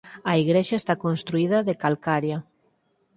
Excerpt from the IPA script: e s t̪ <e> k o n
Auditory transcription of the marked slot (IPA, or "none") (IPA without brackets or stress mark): a